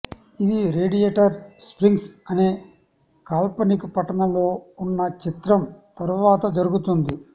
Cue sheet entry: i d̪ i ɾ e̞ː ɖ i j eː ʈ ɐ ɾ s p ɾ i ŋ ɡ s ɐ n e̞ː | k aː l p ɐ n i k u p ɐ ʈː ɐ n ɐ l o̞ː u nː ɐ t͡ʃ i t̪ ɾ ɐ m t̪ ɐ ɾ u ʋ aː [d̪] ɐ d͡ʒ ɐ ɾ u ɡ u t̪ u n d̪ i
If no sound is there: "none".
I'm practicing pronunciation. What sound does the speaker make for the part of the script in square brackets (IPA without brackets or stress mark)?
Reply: t̪